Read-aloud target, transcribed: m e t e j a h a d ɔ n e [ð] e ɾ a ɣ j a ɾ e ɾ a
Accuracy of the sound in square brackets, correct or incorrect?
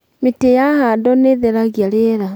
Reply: correct